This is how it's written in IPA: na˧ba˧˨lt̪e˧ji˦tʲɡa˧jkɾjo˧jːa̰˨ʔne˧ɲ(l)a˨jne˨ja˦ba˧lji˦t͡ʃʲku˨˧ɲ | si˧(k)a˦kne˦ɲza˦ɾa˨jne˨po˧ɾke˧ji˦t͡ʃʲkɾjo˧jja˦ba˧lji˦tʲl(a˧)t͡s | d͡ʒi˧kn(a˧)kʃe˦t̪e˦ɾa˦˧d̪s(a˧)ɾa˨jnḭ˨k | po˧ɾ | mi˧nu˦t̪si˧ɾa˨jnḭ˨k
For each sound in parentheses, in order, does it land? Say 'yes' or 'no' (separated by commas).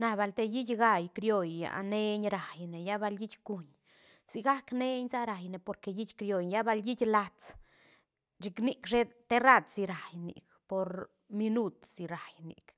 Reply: no, no, yes, no, no